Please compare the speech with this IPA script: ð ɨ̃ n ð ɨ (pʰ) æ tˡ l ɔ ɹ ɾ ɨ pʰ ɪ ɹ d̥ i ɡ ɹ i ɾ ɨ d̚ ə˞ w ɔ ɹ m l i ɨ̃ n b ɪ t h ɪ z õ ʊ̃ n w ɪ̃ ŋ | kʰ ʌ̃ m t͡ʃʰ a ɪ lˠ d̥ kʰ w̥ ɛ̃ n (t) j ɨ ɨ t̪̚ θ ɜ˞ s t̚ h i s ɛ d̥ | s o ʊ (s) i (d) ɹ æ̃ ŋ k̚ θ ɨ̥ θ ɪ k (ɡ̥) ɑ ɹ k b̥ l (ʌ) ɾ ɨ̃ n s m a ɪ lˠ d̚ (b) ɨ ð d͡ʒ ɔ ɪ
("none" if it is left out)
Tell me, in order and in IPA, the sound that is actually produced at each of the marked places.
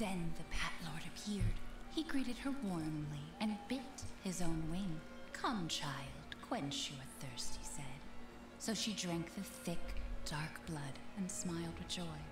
pʰ, t͡ʃ, ʃ, d, d̥, ʌ, w

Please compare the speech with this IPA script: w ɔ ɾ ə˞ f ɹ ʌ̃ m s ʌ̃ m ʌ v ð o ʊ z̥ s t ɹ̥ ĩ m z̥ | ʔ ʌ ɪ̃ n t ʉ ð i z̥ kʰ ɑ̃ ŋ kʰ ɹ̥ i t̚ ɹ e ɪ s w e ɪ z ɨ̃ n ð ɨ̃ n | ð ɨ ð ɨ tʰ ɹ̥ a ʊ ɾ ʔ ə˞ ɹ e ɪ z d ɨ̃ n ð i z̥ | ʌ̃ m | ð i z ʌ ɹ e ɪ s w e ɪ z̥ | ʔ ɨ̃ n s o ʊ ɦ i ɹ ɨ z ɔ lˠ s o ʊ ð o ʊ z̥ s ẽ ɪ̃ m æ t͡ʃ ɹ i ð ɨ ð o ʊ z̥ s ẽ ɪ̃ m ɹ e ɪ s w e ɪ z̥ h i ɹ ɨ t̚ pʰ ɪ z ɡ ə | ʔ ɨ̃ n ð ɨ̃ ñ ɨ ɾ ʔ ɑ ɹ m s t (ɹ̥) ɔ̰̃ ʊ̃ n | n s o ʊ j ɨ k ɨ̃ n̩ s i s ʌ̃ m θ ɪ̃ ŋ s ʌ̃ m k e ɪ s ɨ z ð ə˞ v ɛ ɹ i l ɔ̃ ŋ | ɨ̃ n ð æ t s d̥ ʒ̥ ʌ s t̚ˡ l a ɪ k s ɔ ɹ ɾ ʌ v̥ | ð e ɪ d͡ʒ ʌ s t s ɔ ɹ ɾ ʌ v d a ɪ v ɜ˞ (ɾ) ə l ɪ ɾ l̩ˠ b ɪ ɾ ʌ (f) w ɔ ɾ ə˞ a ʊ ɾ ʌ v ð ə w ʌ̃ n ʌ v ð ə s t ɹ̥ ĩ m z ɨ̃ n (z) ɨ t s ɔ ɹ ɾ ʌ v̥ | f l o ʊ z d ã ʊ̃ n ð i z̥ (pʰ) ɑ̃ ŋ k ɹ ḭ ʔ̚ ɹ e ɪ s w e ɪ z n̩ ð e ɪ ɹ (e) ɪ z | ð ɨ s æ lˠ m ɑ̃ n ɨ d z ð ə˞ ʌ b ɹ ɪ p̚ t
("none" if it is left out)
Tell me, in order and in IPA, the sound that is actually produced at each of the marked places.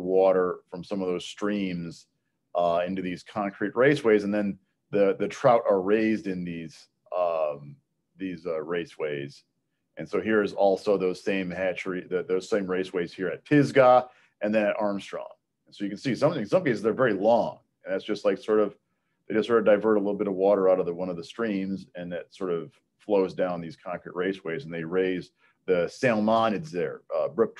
ɹ̥, ɾ, v, ð, kʰ, e

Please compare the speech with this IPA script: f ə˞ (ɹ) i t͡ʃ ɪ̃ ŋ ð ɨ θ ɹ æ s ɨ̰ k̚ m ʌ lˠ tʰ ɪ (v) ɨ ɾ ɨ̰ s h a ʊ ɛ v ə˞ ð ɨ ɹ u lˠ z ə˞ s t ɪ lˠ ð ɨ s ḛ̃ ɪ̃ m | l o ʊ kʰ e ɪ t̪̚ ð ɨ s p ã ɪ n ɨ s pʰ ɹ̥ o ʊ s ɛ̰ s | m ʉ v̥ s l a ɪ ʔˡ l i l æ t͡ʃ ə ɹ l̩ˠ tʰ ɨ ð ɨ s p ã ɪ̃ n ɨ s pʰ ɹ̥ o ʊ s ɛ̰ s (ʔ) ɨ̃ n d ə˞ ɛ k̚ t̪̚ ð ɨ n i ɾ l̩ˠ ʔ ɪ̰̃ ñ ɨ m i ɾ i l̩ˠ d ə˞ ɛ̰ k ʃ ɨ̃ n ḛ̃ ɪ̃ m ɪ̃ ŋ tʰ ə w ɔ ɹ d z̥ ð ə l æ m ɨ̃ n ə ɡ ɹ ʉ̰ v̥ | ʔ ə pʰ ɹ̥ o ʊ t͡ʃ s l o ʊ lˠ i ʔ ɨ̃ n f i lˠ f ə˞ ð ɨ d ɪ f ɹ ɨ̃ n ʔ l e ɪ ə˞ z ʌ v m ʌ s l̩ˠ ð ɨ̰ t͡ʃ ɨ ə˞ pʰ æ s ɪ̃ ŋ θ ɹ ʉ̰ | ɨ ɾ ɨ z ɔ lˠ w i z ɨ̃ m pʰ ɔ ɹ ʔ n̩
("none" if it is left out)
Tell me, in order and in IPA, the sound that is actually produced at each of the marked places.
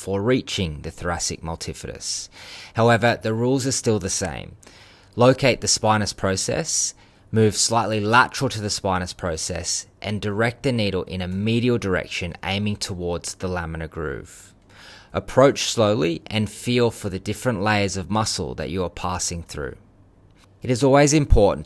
ɹ, f, ʔ

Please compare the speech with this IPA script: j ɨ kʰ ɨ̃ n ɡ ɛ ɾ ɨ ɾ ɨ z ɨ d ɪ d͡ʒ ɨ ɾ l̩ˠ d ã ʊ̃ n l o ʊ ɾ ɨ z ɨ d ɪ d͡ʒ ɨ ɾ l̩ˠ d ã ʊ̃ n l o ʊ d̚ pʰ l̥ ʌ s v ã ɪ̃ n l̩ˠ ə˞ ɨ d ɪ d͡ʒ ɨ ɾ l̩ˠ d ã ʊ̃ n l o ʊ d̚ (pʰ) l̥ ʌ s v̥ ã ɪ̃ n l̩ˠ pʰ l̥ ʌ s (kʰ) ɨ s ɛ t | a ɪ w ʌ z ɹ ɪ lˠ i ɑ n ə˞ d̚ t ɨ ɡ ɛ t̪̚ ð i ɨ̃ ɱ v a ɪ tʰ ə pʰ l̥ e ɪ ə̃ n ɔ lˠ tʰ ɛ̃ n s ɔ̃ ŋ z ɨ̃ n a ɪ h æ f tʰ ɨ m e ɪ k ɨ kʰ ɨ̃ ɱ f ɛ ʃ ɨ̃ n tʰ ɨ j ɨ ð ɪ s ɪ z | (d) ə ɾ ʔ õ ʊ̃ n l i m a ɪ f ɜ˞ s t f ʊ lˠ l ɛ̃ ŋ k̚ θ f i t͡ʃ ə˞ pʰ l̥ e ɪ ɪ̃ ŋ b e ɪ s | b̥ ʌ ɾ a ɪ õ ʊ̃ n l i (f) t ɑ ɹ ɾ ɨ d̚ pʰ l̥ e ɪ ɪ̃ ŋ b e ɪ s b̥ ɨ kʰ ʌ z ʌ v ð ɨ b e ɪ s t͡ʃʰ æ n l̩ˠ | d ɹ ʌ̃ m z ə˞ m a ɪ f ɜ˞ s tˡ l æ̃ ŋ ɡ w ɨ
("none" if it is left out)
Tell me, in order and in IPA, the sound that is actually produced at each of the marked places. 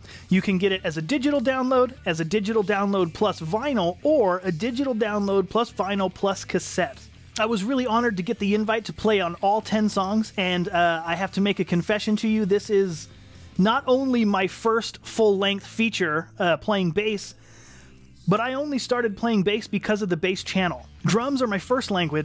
pʰ, kʰ, n, s

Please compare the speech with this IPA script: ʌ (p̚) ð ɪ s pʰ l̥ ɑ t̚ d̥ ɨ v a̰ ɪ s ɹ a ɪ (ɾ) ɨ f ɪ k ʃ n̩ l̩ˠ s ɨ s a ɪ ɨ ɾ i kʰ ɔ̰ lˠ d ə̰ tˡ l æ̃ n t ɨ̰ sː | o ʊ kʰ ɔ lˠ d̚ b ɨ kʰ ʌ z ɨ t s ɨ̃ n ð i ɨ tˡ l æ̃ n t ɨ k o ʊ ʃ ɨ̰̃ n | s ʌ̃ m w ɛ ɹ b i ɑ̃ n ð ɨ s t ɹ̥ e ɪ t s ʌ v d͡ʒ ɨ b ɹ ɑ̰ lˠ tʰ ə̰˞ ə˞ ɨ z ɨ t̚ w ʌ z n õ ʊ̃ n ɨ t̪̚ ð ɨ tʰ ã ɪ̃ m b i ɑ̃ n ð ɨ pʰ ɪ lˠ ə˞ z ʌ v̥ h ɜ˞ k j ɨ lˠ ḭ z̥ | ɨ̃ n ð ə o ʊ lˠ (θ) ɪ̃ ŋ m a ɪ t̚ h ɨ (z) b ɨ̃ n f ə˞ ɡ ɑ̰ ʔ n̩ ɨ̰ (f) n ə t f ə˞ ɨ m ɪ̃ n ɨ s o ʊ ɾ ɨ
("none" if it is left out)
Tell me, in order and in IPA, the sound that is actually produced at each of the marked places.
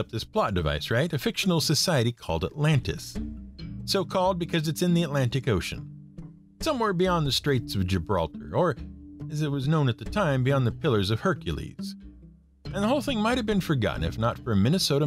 p̚, ɾ, θ, v, f

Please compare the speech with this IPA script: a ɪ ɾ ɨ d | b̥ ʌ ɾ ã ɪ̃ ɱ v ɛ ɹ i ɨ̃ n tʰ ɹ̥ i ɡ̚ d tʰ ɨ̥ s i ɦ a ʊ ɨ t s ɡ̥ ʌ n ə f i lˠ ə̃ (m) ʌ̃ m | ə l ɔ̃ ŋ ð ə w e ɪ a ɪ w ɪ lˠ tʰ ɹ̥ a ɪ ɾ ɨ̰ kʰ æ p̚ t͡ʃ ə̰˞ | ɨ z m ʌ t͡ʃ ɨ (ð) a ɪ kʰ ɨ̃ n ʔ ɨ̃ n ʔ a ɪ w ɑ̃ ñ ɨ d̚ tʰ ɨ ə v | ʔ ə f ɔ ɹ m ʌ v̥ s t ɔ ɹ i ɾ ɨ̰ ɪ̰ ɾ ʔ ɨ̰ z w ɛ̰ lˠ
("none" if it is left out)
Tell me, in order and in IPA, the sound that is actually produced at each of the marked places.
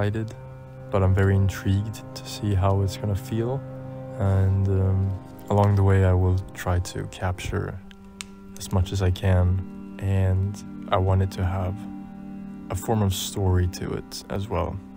n, z

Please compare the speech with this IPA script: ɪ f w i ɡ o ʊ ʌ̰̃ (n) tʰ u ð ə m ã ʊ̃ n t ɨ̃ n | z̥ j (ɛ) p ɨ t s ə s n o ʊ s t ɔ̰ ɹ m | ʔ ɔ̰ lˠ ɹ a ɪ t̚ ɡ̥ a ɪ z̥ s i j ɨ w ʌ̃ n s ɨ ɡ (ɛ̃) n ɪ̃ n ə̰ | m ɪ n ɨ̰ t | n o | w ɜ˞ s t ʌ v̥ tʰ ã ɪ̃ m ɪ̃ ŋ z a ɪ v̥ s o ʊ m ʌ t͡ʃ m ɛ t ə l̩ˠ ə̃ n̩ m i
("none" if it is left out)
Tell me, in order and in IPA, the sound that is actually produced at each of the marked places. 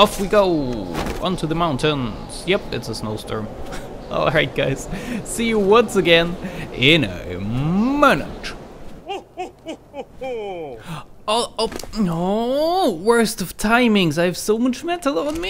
n, ɛ, ɛ̃

